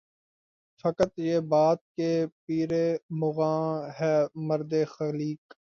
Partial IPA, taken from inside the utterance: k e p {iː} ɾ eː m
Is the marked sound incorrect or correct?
correct